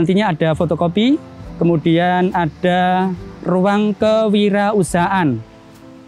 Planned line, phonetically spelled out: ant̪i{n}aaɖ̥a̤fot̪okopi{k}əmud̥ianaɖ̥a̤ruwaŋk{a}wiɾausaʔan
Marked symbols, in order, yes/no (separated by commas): no, yes, no